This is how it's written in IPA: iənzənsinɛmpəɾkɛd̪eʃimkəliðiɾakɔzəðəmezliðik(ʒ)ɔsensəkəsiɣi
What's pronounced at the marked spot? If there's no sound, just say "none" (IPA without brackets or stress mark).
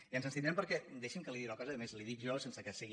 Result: ʒ